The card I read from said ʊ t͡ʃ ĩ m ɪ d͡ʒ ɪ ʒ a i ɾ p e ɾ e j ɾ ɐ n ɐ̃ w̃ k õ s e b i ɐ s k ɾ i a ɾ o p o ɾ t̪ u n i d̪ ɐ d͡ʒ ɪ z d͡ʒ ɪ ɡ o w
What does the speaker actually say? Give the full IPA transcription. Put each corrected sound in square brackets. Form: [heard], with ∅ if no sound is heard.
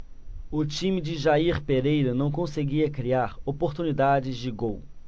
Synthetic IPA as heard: ʊ t͡ʃ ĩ m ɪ d͡ʒ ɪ ʒ a i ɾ p e ɾ e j ɾ ɐ n ɐ̃ w̃ k õ s e [ɡ] i ɐ [∅] k ɾ i a ɾ o p o ɾ t̪ u n i d̪ [a] d͡ʒ ɪ z d͡ʒ ɪ ɡ o w